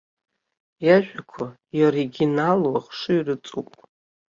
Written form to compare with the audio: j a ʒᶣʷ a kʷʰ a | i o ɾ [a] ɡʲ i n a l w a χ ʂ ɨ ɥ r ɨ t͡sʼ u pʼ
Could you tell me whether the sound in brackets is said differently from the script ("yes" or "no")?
yes